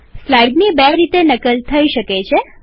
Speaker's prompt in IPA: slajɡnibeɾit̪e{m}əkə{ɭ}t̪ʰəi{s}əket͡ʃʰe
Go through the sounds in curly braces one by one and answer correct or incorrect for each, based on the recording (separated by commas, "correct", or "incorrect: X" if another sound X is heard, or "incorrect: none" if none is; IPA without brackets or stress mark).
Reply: incorrect: n, incorrect: l, incorrect: ʃ